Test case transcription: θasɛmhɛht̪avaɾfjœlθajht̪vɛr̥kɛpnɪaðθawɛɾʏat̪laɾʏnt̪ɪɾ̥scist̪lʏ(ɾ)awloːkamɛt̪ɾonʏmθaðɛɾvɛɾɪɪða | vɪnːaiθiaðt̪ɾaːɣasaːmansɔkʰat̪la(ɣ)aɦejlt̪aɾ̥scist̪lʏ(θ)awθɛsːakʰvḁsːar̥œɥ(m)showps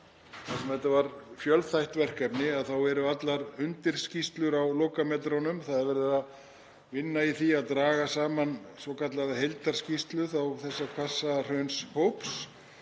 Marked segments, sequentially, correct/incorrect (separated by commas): correct, incorrect, correct, incorrect